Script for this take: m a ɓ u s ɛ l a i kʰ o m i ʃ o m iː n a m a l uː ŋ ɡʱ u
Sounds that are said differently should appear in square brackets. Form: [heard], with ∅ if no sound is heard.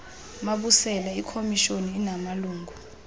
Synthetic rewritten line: m a ɓ u s ɛ l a i kʰ o m i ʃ o [n] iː n a m a l uː ŋ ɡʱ u